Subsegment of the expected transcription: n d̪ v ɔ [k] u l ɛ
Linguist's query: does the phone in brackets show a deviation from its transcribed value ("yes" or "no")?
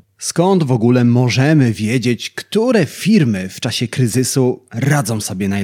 yes